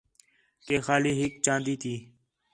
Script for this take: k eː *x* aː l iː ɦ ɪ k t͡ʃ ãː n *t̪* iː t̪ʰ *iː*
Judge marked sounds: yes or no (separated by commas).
yes, no, yes